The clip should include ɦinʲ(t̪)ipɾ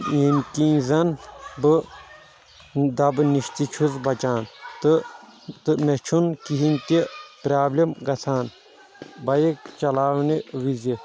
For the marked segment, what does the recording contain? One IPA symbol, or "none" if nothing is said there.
t̪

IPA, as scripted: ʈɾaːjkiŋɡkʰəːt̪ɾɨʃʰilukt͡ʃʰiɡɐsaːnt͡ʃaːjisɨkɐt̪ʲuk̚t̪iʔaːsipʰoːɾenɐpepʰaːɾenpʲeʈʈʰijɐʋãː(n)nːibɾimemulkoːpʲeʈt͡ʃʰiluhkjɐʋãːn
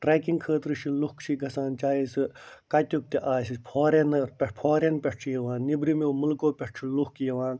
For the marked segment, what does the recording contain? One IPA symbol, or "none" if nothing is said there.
n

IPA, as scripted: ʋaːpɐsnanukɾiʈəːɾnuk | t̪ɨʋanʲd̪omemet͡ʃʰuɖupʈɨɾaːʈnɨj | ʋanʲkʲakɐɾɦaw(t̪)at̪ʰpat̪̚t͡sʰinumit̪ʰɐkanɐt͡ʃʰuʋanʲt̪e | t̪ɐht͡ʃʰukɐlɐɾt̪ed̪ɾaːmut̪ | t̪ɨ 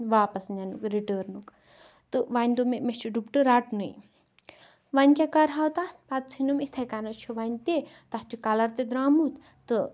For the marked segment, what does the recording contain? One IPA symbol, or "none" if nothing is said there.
t̪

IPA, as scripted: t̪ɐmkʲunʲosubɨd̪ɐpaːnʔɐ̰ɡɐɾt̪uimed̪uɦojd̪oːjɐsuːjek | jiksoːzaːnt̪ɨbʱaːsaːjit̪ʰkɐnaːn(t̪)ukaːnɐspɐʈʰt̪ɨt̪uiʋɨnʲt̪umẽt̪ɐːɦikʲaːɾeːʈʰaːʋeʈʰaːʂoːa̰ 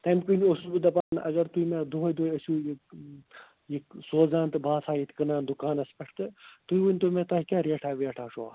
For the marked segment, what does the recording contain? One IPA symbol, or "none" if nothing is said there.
d̪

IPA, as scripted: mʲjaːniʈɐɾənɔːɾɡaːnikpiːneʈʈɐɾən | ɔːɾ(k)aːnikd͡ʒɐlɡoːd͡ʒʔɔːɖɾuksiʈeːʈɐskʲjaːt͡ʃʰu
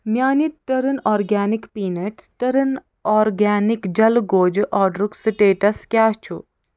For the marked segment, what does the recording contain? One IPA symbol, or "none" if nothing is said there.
ɡ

